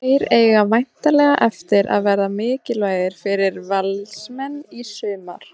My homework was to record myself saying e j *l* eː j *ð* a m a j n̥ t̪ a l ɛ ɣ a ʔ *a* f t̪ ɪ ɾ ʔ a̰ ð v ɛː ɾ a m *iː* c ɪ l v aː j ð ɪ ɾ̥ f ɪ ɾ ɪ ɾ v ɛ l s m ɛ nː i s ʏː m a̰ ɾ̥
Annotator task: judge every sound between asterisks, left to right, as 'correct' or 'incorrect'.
incorrect: ɾ, incorrect: ɣ, incorrect: ɛ, incorrect: ɪː

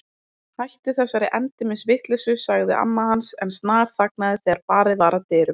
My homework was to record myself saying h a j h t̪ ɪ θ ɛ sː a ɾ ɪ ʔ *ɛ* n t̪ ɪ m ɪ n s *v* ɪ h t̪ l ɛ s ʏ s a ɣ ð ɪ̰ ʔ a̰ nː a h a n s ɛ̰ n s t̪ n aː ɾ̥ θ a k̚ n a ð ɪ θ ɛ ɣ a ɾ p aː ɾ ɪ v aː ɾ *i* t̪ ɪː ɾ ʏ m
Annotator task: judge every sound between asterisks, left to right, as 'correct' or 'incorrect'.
correct, correct, incorrect: a

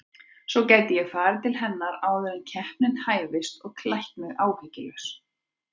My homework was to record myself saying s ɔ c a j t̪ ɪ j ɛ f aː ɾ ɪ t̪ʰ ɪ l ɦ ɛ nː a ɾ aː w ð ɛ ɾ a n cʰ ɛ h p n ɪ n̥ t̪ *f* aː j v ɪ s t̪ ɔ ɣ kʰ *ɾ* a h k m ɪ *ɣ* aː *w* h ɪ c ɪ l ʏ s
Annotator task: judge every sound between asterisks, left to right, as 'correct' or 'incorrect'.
incorrect: h, incorrect: l, correct, correct

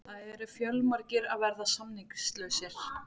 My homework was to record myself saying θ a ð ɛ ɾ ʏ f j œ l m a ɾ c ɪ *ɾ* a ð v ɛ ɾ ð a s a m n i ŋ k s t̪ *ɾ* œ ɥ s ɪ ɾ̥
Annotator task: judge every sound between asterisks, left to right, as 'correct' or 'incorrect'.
correct, incorrect: l

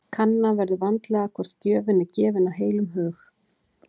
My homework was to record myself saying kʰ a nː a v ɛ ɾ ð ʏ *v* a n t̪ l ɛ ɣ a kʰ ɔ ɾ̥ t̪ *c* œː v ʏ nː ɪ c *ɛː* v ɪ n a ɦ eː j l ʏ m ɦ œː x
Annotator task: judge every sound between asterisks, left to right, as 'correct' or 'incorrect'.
correct, correct, correct

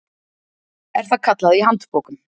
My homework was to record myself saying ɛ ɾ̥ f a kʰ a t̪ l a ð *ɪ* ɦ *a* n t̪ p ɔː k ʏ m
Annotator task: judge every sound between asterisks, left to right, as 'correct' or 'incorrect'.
incorrect: i, correct

